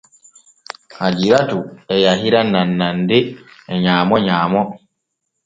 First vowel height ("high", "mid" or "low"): low